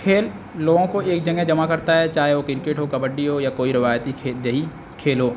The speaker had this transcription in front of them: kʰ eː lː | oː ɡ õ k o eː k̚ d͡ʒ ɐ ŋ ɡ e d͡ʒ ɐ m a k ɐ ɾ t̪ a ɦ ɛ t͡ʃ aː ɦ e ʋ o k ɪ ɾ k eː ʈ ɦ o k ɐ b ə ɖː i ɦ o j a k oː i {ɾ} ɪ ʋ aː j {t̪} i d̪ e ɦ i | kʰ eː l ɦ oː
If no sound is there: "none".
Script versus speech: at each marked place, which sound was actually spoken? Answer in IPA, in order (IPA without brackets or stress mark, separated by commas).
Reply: ɾ, t̪